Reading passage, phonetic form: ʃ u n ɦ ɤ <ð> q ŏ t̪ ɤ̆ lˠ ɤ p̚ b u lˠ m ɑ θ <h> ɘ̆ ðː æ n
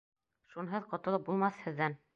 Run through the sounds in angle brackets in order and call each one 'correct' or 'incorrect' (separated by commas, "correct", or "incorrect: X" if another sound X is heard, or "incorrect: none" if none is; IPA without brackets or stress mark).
correct, correct